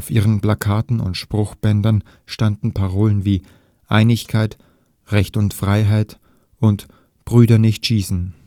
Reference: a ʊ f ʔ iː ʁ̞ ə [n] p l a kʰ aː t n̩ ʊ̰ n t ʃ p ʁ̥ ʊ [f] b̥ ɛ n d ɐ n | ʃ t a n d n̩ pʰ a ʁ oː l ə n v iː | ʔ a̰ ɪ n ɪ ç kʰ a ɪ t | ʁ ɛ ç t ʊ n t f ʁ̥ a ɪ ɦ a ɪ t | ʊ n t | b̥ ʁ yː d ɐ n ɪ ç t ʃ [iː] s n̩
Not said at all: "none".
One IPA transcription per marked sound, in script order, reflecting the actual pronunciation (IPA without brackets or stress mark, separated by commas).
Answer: n, x, iː